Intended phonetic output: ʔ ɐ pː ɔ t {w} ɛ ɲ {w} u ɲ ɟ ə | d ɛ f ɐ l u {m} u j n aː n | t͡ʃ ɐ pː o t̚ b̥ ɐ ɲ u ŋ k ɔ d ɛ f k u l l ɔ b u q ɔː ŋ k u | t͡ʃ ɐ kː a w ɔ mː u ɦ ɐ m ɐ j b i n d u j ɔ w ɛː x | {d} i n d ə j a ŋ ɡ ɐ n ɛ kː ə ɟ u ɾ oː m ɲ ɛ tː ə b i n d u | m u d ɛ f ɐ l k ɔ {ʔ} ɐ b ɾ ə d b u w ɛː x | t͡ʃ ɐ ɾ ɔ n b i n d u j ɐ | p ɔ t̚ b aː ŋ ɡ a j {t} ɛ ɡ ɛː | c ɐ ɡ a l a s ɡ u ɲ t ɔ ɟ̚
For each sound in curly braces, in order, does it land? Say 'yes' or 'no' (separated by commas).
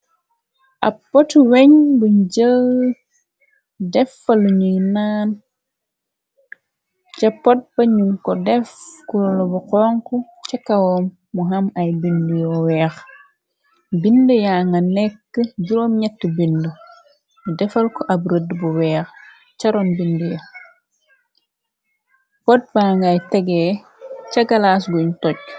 yes, no, no, no, yes, yes